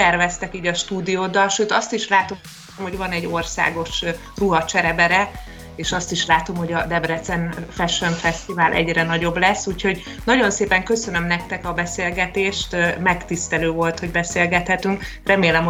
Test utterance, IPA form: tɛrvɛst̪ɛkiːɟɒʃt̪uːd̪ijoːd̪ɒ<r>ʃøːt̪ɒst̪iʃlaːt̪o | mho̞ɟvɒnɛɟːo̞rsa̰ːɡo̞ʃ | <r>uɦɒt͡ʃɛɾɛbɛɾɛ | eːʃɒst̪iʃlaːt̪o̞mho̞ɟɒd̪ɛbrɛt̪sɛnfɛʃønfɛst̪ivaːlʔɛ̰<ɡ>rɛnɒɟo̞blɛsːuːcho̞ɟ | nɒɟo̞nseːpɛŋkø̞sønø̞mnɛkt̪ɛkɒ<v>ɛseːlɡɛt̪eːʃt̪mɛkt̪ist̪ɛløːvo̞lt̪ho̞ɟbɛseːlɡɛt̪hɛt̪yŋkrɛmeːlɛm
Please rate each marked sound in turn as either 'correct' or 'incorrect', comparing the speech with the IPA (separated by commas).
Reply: incorrect, correct, incorrect, incorrect